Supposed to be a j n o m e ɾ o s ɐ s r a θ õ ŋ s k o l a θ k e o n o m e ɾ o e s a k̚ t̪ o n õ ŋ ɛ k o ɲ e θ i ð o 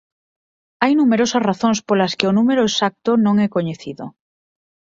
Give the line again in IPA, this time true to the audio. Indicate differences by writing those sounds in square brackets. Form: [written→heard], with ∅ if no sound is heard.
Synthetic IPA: a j n [o→u] m e ɾ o s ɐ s r a θ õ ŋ s [k→p] o l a [θ→s] k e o n [o→u] m e ɾ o e s a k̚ t̪ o n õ ŋ ɛ k o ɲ e θ i ð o